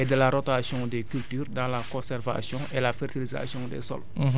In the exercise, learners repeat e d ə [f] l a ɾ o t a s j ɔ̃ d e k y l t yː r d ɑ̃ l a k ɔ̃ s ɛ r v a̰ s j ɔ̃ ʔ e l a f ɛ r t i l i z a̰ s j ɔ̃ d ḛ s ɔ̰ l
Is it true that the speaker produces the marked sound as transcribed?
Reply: no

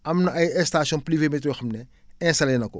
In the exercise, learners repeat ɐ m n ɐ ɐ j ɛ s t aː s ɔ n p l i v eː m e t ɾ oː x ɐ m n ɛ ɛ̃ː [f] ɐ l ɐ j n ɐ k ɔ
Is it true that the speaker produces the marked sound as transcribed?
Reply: no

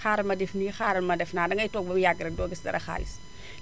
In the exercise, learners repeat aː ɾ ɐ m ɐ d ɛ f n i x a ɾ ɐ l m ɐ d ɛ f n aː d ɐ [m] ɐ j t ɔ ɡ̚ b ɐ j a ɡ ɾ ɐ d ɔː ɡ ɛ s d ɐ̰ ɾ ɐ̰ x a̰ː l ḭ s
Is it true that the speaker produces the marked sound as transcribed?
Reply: no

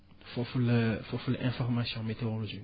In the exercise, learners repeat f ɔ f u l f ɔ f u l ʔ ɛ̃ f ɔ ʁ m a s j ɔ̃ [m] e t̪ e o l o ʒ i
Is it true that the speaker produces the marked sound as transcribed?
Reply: yes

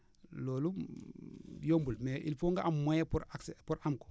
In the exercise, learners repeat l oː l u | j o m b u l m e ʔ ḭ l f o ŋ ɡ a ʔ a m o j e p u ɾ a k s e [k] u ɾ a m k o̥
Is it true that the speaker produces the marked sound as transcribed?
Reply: no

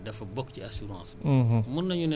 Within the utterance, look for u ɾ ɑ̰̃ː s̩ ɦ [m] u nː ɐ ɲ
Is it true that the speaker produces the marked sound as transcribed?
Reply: yes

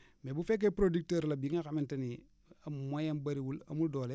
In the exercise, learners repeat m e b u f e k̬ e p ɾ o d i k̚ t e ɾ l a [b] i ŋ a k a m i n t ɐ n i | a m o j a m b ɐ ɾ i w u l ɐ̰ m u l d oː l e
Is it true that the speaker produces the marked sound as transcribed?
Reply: yes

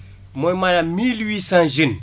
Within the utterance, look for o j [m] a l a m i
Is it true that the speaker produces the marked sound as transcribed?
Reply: yes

